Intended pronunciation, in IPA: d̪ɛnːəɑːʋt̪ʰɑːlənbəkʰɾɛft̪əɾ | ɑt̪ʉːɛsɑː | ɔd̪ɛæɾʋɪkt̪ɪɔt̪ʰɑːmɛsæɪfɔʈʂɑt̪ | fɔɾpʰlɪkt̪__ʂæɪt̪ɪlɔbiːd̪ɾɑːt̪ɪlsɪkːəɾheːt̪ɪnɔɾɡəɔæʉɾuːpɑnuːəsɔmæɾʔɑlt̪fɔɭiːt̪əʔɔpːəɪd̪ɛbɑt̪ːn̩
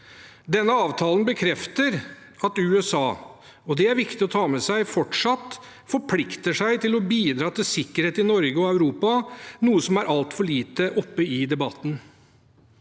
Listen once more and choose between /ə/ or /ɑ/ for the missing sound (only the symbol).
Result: ə